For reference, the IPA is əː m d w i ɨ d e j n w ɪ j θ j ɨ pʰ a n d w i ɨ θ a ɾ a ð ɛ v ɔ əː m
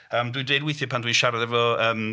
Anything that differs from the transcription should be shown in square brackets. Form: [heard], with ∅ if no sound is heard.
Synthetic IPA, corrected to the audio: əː m d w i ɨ d e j [d] w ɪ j θ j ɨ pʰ a n d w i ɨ [ʃ] a ɾ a ð ɛ v ɔ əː m